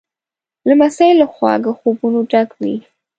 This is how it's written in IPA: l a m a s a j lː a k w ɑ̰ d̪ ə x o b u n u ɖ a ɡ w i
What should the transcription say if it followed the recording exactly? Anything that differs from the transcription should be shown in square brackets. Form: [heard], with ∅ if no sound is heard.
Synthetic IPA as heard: l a m a s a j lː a [x] w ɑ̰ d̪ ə x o b u n [o] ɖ a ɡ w i

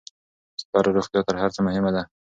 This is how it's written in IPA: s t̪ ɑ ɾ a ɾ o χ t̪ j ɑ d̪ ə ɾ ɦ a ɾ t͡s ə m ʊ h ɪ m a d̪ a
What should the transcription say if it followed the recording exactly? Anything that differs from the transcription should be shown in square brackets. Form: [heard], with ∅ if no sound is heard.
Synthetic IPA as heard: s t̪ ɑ ɾ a ɾ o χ t̪ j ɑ [t̪] ə ɾ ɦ a ɾ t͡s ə m ʊ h ɪ m a d̪ a

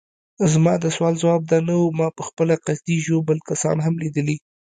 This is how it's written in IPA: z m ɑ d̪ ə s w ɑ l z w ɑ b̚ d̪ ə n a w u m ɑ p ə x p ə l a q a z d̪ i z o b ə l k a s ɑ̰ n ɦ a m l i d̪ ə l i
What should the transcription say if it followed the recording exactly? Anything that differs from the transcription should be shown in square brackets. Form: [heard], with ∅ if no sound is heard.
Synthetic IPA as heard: z m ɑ d̪ ə s w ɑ l z w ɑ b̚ d̪ [ɑ] n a w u m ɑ p ə x p ə l a q a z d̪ i [ʒ] o b ə l k a s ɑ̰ n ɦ a m l i d̪ ə l i

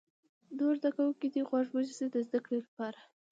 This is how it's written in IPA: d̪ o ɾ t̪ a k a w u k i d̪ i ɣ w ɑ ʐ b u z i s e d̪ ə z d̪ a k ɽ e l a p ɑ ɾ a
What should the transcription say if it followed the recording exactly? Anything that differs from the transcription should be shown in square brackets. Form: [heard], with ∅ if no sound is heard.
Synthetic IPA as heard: d̪ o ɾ [d̪] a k a w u k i d̪ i ɣ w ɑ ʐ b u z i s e d̪ ə z d̪ a k ɽ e l a p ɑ ɾ a

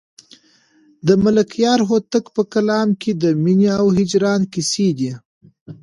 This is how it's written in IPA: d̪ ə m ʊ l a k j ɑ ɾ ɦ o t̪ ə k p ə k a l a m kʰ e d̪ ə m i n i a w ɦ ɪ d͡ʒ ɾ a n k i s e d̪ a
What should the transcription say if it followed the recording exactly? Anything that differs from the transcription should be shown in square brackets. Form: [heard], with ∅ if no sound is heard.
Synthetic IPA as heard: d̪ ə m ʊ l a k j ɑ ɾ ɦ o t̪ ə k p ə k a l [ɑ] m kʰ e d̪ ə m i n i a w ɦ ɪ d͡ʒ ɾ [ɑ] n k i s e d̪ [i]

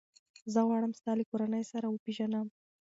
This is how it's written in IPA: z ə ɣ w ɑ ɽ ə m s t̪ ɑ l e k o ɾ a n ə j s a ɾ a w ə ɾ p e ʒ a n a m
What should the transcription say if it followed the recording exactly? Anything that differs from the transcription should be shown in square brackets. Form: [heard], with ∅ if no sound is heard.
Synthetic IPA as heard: z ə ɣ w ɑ ɽ ə m s t̪ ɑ l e k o ɾ a n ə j s a ɾ a w ə [∅] p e ʒ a n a m

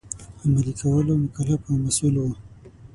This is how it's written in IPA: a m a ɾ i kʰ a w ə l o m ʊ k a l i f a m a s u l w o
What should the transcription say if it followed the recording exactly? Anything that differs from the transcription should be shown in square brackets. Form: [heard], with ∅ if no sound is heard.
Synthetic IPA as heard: a m a [l] i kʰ a w ə l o m ʊ k a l [a] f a m a s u l w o

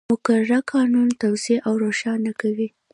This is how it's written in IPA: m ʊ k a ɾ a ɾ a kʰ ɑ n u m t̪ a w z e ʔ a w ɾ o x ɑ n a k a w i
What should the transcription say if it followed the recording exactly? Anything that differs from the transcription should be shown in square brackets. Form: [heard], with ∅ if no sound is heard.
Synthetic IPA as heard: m ʊ k a ɾ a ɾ a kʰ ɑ n u [n] t̪ a w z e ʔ a w ɾ o [ʃ] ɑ n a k a w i

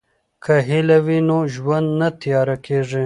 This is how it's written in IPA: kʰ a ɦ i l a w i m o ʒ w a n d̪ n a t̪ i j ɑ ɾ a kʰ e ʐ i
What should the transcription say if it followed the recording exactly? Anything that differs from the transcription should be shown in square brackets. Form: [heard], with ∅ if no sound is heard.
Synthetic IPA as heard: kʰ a ɦ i l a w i [n] o ʒ w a n d̪ n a t̪ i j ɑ ɾ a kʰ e ʐ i

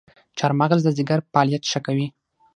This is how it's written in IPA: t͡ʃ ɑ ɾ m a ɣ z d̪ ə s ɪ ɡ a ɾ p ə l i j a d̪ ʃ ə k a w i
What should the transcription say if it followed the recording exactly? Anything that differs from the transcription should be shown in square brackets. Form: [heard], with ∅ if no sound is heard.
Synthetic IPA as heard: t͡ʃ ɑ ɾ m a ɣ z d̪ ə [z] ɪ ɡ a ɾ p [ɑ] l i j a [t̪] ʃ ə k a w i

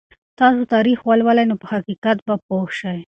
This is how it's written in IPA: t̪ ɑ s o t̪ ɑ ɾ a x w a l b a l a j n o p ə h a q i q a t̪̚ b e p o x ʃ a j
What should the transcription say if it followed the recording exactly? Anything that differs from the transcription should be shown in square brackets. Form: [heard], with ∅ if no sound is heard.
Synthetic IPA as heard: t̪ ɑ s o t̪ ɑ ɾ [i] x w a l [w] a l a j n o p ə h a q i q a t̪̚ b [a] p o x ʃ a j

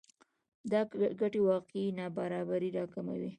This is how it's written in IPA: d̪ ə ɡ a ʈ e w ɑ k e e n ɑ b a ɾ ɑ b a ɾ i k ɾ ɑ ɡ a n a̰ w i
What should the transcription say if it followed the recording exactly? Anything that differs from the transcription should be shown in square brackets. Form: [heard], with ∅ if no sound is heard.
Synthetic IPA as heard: d̪ [ɑ] ɡ a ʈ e w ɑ [q] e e n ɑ b a ɾ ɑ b a ɾ i [∅] ɾ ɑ [k] a [m] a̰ w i

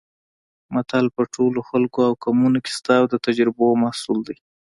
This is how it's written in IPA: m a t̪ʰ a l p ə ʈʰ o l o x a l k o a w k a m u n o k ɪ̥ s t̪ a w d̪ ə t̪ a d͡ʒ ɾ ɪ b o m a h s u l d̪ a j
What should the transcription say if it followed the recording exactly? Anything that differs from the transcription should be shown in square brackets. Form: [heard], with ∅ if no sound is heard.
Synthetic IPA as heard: m a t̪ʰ a l p ə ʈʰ o l o x a l k o a w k a m u n o k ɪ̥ s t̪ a w d̪ ə t̪ a d͡ʒ ɾ ɪ b o m a h s u l d̪ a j

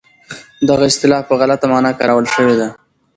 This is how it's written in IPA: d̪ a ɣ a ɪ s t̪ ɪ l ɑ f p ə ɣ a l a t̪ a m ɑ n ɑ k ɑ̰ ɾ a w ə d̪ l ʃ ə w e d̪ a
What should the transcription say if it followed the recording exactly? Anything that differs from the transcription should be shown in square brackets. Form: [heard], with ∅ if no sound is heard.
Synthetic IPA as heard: d̪ a ɣ a ɪ s t̪ ɪ l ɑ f p ə ɣ a l a t̪ a m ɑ n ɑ k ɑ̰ ɾ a w ə [∅] l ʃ ə w e d̪ a

